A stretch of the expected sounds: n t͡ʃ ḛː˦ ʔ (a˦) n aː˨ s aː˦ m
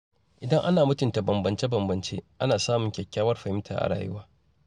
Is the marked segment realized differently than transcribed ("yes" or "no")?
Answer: no